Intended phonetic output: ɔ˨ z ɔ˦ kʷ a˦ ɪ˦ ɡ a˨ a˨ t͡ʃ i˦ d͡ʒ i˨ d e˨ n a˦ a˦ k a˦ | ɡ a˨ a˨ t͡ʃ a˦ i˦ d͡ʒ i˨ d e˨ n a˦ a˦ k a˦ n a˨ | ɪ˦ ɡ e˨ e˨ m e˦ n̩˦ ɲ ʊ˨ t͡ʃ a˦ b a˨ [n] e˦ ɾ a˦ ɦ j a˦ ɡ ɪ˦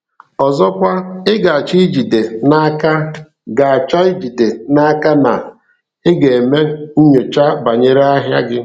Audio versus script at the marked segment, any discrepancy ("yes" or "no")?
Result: yes